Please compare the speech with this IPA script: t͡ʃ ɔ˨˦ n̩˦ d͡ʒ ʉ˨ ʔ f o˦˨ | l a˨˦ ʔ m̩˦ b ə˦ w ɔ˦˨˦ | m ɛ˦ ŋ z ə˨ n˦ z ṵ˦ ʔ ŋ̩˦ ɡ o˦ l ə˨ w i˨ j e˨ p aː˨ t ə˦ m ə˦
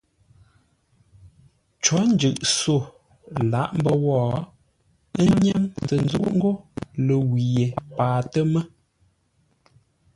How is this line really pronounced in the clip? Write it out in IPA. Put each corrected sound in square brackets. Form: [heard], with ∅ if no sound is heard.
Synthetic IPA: t͡ʃ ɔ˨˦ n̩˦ d͡ʒ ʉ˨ ʔ [s] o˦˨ | l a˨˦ ʔ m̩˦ b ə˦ w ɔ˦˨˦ | [ɲ] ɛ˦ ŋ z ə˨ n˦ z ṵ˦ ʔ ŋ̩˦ ɡ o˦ l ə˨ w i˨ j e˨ p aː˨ t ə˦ m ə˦

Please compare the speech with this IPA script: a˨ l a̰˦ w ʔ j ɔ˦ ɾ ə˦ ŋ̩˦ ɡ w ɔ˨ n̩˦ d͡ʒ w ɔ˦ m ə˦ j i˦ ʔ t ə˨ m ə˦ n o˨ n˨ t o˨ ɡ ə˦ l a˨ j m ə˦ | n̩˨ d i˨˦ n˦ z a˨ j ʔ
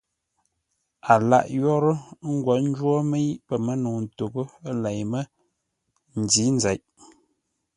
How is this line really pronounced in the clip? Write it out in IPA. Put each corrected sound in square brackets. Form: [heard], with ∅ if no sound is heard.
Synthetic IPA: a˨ l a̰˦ [∅] ʔ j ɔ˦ ɾ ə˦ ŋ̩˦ ɡ w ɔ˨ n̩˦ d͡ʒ w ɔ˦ m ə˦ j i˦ ʔ [p] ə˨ m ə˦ n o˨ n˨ t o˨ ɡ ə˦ l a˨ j m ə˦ | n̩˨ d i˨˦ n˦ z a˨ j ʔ

